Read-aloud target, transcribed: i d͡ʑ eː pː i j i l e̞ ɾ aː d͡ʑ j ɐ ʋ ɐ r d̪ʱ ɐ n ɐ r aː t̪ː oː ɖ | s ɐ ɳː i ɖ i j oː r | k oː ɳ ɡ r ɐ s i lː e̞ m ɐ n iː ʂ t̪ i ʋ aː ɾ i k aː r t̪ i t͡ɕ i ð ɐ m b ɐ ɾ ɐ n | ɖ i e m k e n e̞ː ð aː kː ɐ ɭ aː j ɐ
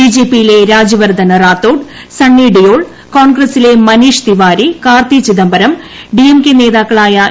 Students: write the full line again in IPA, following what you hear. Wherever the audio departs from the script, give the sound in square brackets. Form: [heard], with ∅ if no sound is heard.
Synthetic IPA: i d͡ʑ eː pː i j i l e̞ ɾ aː d͡ʑ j ɐ ʋ ɐ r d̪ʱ ɐ n ɐ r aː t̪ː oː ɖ | s ɐ ɳː i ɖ i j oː [ɭ] | k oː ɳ ɡ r ɐ s i [l] e̞ m ɐ n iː ʂ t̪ i ʋ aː ɾ i k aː r t̪ i t͡ɕ i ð ɐ m b ɐ ɾ ɐ [m] | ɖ i e m k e n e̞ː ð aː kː ɐ ɭ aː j ɐ